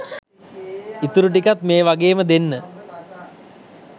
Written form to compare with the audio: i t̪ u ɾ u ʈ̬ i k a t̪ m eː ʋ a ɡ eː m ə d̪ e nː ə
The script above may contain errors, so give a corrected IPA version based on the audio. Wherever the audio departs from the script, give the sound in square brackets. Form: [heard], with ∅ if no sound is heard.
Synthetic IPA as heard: i t̪ u ɾ u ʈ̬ i k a t̪ m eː ʋ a ɡ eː m ə d̪ e nː ə